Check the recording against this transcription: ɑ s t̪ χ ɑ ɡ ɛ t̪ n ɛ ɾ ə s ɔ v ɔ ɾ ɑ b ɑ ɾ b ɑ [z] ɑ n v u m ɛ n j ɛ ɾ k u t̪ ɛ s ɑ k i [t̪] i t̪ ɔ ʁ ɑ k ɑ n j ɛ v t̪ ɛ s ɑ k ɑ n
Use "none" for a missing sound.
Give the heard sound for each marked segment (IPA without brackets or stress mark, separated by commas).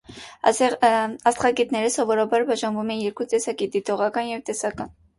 ʒ, d̪